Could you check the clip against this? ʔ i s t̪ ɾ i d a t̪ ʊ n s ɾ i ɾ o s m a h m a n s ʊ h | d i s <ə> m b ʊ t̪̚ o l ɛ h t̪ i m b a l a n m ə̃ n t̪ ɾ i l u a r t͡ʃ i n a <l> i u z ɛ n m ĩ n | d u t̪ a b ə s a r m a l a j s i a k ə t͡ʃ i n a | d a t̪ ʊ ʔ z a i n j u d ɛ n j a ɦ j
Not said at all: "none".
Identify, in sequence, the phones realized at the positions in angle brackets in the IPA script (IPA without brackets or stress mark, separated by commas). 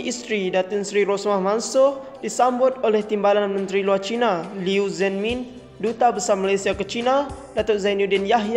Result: a, l